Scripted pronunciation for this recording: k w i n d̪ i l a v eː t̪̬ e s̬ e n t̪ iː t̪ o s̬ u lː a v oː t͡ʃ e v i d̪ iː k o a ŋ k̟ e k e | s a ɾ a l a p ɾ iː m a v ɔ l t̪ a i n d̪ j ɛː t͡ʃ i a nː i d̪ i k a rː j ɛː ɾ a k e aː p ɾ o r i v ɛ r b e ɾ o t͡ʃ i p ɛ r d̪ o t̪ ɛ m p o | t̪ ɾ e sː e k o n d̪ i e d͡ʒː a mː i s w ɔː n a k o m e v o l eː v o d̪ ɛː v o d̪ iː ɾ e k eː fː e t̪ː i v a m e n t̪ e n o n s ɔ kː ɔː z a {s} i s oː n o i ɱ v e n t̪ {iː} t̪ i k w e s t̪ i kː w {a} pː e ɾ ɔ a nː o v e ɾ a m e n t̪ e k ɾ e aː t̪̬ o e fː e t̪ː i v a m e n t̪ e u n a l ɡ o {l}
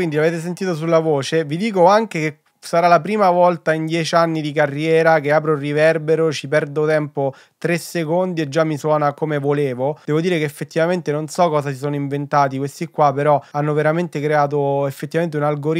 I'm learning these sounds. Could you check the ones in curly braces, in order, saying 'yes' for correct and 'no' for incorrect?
yes, no, yes, no

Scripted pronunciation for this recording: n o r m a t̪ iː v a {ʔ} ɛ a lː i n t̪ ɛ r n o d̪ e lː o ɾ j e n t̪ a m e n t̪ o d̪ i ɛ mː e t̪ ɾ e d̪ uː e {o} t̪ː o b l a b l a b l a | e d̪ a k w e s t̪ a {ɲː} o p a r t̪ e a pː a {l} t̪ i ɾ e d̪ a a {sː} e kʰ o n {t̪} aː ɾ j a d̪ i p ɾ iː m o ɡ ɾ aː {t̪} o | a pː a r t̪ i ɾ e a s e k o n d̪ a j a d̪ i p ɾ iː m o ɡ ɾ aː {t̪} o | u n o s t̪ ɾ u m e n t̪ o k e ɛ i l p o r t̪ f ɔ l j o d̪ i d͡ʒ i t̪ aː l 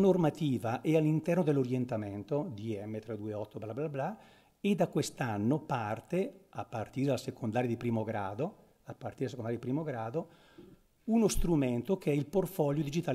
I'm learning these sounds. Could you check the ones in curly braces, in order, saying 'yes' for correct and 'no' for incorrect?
yes, no, no, no, no, no, no, no

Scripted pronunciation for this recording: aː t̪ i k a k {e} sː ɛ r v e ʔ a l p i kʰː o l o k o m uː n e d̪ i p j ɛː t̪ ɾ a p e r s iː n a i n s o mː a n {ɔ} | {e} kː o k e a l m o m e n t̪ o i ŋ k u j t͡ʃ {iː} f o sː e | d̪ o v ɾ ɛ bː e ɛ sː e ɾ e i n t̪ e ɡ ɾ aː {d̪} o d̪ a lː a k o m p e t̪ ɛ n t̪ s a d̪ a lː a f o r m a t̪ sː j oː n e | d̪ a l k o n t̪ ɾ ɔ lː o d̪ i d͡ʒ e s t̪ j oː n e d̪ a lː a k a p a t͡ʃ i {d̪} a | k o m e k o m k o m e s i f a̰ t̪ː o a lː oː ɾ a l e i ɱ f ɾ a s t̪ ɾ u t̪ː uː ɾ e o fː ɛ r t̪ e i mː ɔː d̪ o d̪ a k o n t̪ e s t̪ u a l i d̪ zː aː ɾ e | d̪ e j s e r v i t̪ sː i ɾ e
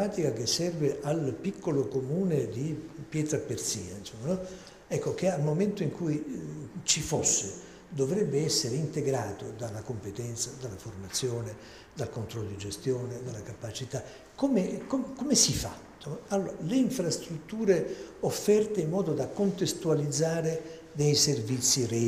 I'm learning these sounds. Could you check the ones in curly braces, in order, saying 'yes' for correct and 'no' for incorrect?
yes, yes, no, no, no, no

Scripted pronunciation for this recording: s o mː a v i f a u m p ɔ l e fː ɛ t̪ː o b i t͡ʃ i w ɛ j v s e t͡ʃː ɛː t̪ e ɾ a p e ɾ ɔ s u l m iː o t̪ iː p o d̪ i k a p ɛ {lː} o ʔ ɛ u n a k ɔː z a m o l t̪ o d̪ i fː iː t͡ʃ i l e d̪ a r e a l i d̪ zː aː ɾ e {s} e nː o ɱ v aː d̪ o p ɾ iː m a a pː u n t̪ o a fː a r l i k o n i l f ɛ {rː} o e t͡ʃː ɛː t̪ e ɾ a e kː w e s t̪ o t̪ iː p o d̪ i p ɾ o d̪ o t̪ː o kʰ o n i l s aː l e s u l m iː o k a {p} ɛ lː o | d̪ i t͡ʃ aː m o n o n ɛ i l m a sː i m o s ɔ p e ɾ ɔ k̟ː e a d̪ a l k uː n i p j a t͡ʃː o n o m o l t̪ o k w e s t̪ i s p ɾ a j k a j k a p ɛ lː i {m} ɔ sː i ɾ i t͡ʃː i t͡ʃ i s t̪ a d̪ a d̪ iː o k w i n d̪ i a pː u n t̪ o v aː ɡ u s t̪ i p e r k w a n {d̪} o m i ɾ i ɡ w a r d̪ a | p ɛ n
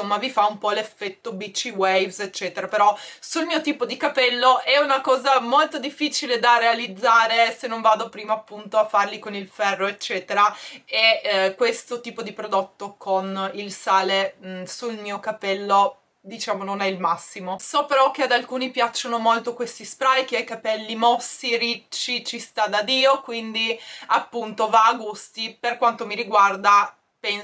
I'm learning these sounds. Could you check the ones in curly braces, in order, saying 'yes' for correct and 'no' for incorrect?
yes, yes, yes, yes, yes, no

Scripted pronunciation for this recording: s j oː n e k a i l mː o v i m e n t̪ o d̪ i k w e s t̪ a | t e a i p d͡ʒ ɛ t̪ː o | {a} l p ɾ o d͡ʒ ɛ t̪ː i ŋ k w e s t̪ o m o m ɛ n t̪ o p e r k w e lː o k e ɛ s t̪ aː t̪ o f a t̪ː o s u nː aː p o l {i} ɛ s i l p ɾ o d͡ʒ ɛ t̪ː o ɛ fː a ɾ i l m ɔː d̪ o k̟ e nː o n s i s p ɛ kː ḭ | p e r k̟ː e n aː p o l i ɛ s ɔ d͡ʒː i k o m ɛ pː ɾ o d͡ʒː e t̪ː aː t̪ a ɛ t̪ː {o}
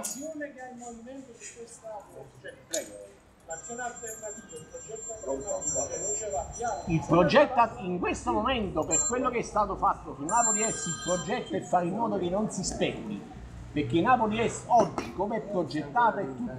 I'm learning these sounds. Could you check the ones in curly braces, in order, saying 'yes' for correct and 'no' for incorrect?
no, yes, no

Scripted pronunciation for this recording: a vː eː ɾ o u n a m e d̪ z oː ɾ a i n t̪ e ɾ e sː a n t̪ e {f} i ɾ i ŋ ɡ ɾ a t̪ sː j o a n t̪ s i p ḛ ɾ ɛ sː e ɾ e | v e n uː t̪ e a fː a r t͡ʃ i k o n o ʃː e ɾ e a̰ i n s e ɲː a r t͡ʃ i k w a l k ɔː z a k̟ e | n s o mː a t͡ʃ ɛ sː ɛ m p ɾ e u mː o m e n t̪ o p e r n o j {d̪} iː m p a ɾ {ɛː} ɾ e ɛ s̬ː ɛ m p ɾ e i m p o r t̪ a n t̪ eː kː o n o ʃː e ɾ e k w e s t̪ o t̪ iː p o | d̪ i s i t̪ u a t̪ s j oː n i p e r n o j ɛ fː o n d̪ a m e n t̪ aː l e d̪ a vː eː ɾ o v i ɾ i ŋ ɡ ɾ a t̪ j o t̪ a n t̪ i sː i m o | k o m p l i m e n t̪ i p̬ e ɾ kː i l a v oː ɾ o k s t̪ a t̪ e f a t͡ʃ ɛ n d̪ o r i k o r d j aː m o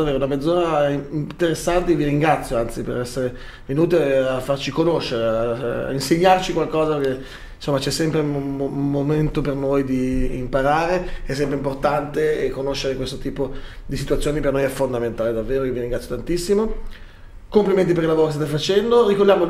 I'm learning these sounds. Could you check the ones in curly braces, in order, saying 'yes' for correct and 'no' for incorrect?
no, yes, no

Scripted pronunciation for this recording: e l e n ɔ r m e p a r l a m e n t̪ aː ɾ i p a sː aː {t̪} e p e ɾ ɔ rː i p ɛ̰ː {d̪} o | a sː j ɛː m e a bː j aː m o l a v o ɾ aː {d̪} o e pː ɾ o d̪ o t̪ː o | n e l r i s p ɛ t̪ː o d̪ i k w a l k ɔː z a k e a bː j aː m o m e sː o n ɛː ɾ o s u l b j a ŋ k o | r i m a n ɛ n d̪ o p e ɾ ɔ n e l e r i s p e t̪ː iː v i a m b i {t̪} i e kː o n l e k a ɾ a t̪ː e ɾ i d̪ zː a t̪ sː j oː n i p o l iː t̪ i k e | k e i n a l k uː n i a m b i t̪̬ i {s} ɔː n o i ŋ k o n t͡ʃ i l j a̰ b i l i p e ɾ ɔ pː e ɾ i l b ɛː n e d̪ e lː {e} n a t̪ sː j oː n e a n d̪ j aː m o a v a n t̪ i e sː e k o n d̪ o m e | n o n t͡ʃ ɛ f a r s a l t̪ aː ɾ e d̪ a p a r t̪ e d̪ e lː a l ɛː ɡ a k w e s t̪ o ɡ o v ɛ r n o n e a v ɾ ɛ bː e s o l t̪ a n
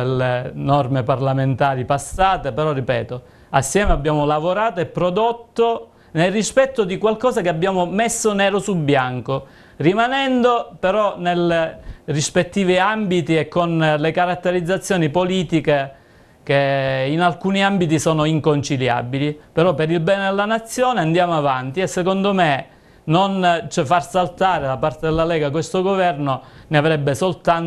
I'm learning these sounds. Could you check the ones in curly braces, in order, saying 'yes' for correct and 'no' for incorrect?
yes, no, no, yes, yes, no

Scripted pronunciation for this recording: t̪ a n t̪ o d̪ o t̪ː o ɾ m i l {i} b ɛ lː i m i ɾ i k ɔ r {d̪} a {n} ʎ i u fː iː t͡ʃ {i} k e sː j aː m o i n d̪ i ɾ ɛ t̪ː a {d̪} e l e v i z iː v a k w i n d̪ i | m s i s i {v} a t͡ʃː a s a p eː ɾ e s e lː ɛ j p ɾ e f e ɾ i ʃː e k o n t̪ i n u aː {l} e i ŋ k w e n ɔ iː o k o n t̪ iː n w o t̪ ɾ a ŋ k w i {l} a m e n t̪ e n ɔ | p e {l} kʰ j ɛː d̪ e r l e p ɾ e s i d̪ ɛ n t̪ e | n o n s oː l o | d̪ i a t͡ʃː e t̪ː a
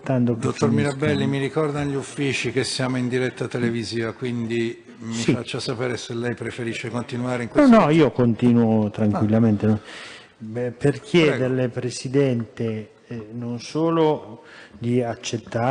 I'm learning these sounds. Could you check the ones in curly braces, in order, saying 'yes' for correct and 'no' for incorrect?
no, yes, yes, yes, no, no, no, no, no

